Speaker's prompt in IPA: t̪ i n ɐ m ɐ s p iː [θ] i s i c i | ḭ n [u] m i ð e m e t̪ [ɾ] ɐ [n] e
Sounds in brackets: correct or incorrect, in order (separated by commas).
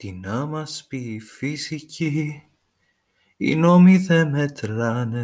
incorrect, incorrect, correct, correct